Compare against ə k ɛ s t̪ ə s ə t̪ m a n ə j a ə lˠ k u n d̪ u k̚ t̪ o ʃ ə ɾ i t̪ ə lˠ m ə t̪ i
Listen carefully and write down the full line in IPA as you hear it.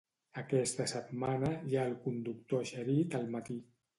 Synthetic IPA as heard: ə k ɛ s t̪ ə s ə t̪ m a n ə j a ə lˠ k u n d̪ u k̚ t̪ o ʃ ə ɾ i t̪ ə lˠ m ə t̪ i